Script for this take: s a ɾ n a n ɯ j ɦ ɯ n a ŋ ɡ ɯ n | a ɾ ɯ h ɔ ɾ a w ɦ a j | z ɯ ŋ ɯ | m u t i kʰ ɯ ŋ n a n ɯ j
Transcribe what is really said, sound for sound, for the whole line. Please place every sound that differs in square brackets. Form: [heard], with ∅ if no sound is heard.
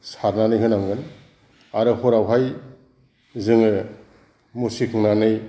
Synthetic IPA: s a ɾ n a n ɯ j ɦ ɯ n a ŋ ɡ ɯ n | a ɾ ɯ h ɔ ɾ a w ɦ a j | z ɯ ŋ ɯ | m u [s] i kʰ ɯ ŋ n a n ɯ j